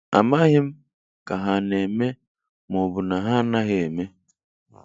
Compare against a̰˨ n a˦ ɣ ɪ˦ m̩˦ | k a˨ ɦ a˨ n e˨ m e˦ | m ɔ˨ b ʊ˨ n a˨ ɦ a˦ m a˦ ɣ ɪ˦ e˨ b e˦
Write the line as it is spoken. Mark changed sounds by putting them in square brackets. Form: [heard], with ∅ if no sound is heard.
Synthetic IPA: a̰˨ [m] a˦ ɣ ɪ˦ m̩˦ | k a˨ ɦ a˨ n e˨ m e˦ | m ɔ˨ b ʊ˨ n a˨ ɦ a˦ [n] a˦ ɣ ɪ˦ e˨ [m] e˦

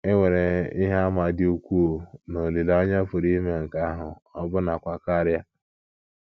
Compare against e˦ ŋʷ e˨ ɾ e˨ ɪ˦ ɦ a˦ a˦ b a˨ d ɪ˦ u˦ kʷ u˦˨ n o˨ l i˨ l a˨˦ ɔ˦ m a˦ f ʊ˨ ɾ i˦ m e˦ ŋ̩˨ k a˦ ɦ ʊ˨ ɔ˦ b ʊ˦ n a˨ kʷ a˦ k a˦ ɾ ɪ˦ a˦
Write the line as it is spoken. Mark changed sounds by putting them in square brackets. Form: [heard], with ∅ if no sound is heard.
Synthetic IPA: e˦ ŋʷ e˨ ɾ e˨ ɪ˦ ɦ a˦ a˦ [m] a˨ d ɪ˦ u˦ kʷ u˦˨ n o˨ l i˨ l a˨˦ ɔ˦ [ɲ] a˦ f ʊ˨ ɾ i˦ m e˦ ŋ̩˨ k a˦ ɦ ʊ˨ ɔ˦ b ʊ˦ n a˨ kʷ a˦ k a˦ ɾ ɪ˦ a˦

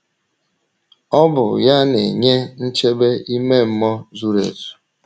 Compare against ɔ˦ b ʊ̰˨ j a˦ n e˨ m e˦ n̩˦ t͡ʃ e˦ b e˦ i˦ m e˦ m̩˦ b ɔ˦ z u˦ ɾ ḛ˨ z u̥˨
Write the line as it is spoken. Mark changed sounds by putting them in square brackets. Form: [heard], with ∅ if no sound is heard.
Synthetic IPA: ɔ˦ b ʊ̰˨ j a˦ n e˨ [ɲ] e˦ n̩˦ t͡ʃ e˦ b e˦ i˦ m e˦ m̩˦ [m] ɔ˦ z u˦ ɾ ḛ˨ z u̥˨

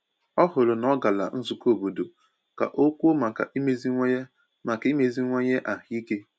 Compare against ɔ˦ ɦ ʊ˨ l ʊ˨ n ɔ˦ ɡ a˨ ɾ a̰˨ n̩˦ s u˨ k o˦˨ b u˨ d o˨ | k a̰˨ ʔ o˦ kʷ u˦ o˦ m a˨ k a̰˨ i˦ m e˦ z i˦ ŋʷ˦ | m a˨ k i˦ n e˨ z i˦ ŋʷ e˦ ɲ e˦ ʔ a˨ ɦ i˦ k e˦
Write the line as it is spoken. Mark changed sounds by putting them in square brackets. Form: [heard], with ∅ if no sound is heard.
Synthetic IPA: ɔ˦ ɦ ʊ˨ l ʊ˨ n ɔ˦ ɡ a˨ [l] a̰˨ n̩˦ [z] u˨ k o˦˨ b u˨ d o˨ | k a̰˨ ʔ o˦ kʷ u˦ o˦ m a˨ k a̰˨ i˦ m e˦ z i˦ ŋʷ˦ | m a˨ k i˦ [m] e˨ z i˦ ŋʷ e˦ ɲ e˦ ʔ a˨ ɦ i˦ k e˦

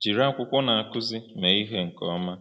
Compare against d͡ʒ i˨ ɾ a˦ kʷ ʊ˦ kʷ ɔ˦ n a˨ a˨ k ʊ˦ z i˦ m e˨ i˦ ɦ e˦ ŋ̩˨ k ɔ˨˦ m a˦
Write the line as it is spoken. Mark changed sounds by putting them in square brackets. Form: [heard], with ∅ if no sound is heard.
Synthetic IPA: d͡ʒ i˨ ɾ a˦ kʷ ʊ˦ kʷ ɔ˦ n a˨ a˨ k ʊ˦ z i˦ m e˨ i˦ ɦ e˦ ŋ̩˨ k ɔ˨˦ m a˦

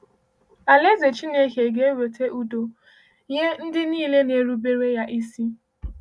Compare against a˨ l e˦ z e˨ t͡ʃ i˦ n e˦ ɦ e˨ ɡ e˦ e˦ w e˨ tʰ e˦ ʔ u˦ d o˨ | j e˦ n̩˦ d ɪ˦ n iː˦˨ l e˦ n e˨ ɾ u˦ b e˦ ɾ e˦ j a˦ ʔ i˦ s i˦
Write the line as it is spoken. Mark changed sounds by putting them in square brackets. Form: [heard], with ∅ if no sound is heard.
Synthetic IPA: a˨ l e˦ z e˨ t͡ʃ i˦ n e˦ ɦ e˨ ɡ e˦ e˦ w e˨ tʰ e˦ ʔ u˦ d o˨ | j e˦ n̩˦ d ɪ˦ n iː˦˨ l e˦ n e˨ ɾ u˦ b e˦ ɾ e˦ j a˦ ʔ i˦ s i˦

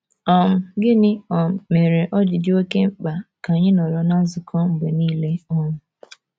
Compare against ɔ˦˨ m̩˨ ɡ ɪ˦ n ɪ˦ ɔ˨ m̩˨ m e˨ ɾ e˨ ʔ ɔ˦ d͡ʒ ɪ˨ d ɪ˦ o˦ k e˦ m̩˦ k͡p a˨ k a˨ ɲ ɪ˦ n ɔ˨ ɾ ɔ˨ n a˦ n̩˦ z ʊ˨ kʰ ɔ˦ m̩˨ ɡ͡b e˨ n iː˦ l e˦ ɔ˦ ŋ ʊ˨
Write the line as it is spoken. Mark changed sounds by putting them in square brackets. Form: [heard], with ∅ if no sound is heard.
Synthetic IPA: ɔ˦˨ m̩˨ ɡ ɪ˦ n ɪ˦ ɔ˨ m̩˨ m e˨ ɾ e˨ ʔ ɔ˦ d͡ʒ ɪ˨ d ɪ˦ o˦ k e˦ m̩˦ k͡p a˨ k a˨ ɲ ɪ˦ n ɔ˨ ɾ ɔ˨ n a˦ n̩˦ z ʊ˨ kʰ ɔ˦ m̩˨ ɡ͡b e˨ n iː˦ l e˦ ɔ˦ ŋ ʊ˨

